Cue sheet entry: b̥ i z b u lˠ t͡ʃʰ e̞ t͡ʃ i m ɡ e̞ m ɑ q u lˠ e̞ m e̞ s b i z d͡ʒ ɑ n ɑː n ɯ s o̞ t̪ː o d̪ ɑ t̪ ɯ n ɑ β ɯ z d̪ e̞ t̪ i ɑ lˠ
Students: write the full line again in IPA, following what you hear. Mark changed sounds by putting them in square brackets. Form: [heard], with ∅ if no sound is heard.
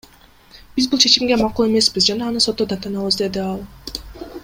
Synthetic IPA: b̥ i z b u lˠ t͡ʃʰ e̞ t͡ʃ i m ɡ e̞ m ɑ q u lˠ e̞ m e̞ s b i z d͡ʒ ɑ n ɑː n ɯ s o̞ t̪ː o d̪ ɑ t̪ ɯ n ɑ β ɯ z d̪ e̞ [d̪] i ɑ lˠ